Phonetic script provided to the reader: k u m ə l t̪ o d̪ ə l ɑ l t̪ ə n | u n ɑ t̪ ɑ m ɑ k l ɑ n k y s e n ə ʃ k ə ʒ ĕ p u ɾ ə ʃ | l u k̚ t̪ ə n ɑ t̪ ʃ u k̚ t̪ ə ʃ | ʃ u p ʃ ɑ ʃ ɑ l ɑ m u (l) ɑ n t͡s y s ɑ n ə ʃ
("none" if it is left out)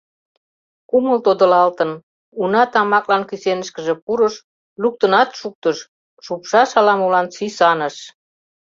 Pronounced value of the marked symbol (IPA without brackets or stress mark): l